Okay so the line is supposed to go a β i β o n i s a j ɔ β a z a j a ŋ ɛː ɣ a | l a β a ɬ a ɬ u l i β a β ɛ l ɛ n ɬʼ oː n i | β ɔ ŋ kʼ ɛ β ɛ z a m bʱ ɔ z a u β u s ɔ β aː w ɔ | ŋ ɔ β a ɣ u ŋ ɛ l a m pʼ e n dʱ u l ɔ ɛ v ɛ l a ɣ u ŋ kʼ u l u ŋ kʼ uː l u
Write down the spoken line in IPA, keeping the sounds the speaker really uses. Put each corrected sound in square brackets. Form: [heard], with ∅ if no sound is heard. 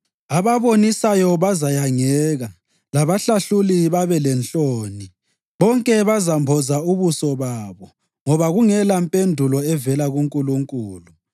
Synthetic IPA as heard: a β [a] β o n i s a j ɔ β a z a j a ŋ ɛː ɣ a | l a β a ɬ a ɬ u l i β a β ɛ l ɛ n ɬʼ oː n i | β ɔ ŋ kʼ ɛ β [a] z a m bʱ ɔ z a u β u s ɔ β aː [β] ɔ | ŋ ɔ β a ɣ u ŋ ɛ l a m pʼ e n dʱ u l ɔ ɛ v ɛ l a ɣ u ŋ kʼ u l u ŋ kʼ uː l u